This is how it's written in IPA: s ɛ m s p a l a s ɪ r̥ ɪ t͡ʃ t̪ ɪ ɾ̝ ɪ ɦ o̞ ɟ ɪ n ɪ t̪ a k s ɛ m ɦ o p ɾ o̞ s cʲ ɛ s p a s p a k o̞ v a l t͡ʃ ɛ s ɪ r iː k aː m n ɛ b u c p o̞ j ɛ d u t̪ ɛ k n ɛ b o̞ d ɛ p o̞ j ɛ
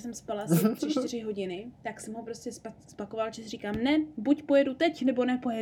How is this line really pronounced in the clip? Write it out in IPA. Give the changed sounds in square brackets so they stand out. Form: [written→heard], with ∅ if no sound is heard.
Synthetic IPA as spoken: s ɛ m s p a l a s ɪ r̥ ɪ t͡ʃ t̪ ɪ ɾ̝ ɪ ɦ o̞ ɟ ɪ n ɪ t̪ a k s ɛ m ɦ o p ɾ o̞ s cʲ ɛ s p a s p a k o̞ v a l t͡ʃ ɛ s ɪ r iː k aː m n ɛ b u c p o̞ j ɛ d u t̪ ɛ [k→c] n ɛ b o̞ [d→n] ɛ p o̞ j ɛ